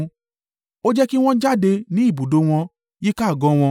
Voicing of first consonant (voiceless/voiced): voiced